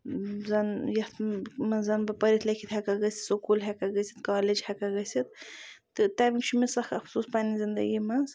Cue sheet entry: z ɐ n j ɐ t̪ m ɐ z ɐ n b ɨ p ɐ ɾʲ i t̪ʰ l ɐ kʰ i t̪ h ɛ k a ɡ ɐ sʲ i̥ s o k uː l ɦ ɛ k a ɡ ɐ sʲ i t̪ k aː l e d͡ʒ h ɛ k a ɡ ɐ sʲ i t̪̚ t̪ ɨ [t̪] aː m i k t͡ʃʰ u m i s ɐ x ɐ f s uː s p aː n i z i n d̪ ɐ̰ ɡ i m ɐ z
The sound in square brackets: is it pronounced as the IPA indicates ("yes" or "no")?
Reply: yes